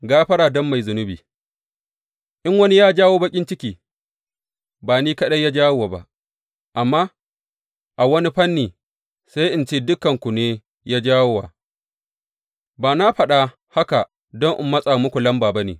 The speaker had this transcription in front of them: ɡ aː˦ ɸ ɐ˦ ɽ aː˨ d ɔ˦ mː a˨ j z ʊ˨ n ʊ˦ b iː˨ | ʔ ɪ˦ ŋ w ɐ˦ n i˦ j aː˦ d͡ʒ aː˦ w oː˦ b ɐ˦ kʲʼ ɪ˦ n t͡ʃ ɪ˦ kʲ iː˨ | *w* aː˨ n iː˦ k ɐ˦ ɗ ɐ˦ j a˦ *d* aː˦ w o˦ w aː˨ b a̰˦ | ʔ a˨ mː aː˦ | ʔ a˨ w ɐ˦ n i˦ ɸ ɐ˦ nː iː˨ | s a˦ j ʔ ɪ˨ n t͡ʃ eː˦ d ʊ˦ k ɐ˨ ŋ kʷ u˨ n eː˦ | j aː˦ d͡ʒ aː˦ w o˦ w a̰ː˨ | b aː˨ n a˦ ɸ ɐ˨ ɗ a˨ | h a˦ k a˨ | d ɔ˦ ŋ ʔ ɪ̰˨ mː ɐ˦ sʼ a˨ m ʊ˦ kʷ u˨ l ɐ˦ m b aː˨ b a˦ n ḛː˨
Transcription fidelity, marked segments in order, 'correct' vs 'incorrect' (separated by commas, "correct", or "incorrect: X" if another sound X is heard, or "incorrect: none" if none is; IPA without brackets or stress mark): incorrect: b, incorrect: d͡ʒ